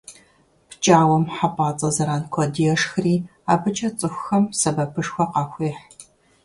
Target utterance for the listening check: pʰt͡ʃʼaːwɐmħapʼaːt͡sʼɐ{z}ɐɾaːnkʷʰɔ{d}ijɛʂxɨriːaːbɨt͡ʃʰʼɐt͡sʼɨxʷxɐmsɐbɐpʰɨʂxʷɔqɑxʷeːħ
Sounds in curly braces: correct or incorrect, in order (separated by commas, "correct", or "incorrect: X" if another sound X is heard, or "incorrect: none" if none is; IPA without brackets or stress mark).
correct, correct